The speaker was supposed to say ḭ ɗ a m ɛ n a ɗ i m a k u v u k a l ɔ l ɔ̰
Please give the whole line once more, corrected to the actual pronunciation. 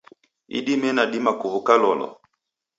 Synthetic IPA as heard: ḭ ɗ i m ɛ n a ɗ i m a k u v u k a l ɔ l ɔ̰